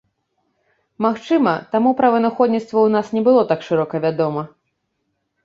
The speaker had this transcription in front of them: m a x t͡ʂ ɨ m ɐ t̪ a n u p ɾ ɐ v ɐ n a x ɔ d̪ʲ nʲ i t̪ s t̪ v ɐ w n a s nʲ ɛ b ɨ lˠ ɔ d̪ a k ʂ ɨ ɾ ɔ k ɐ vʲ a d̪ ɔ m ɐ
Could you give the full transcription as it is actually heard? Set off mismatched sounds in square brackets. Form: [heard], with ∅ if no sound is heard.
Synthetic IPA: m a x t͡ʂ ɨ m ɐ t̪ a [m] u p ɾ ɐ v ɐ n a x ɔ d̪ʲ nʲ i t̪ s t̪ v ɐ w n a s nʲ ɛ b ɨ lˠ ɔ [t̪] a k ʂ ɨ ɾ ɔ k ɐ vʲ a d̪ ɔ m ɐ